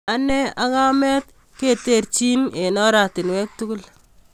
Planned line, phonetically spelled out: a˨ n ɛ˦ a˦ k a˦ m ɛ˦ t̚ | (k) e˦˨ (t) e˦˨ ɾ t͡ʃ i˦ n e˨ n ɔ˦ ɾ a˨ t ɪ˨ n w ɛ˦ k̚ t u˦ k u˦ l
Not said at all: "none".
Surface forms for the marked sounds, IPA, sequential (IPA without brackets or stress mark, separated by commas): k, t